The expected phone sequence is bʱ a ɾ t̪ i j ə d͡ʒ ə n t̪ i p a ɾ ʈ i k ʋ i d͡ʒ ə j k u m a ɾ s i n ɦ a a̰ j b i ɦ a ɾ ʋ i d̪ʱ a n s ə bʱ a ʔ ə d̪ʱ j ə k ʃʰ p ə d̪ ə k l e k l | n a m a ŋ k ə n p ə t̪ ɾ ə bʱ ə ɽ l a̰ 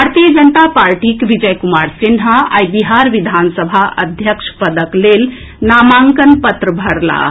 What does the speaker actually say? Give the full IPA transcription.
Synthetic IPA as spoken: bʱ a ɾ t̪ i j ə d͡ʒ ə n t̪ a p a ɾ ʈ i k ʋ i d͡ʒ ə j k u m a ɾ s i n ɦ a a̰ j b i ɦ a ɾ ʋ i d̪ʱ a n s ə bʱ a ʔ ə d̪ʱ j ə k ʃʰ p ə d̪ ə k l e l | n a m a ŋ k ə n p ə t̪ ɾ ə bʱ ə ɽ l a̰